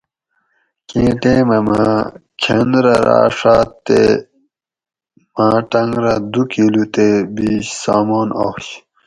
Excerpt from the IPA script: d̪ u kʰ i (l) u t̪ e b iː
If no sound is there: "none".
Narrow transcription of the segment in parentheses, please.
l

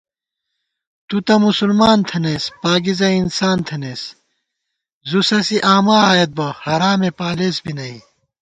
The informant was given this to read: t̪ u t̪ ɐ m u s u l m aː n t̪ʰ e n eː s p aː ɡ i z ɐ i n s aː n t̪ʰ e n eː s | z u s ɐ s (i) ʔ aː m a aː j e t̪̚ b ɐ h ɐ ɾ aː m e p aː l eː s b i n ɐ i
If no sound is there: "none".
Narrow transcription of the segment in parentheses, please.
i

